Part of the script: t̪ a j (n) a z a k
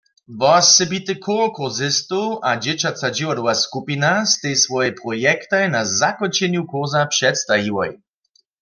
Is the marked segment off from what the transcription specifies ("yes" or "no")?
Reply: no